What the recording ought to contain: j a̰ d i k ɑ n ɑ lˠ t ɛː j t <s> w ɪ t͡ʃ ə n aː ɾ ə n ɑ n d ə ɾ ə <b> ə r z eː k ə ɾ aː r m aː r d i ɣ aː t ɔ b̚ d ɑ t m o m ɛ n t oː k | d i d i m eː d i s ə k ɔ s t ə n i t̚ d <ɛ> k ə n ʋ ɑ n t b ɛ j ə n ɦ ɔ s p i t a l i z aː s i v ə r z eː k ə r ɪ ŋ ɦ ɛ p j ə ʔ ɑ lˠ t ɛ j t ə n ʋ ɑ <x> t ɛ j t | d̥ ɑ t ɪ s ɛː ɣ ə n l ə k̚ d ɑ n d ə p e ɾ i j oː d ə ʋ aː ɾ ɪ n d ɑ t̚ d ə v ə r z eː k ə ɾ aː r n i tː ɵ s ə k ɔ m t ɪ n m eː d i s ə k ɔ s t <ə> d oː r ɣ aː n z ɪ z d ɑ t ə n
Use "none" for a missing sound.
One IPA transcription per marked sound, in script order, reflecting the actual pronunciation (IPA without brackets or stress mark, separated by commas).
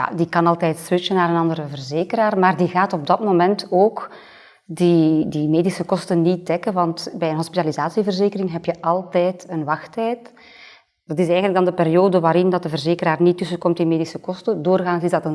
s, v, ɛ, x, ə